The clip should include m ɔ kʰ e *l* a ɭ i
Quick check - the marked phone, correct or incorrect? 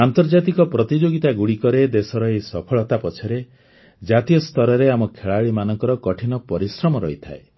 incorrect